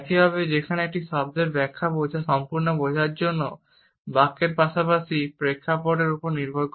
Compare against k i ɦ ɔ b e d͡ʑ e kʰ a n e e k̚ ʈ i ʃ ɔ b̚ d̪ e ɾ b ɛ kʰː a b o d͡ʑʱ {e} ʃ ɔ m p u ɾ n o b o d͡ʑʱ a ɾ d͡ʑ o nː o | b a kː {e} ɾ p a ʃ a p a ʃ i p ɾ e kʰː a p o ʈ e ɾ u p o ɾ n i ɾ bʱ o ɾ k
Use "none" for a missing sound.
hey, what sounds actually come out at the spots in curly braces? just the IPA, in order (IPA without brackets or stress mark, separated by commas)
a, e